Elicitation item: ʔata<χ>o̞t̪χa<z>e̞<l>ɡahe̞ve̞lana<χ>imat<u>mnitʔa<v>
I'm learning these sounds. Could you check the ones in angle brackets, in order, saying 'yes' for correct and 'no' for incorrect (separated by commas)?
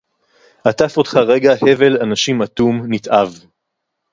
no, no, no, no, yes, yes